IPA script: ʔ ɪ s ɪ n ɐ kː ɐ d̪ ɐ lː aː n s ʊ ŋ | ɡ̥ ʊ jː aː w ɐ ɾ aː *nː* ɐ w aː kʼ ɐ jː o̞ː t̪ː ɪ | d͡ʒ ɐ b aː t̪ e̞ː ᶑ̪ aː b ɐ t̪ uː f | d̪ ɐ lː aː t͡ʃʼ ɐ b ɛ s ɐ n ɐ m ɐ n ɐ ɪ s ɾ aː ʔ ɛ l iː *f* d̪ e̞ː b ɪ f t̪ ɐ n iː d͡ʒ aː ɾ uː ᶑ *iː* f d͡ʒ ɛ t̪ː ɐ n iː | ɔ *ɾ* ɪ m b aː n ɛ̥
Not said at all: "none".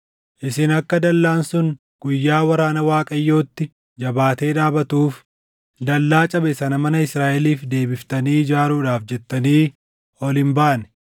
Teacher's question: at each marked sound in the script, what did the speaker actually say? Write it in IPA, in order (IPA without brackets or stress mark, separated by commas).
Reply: n, f, aː, l